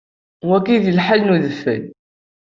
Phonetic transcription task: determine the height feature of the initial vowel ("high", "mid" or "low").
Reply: low